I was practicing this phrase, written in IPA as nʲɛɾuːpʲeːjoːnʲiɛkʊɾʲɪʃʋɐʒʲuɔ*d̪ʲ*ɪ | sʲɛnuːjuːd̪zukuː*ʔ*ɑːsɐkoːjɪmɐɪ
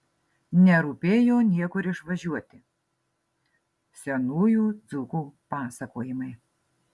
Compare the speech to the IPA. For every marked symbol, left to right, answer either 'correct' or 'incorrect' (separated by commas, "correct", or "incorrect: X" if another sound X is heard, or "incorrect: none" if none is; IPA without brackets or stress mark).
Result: incorrect: t̪ʲ, incorrect: p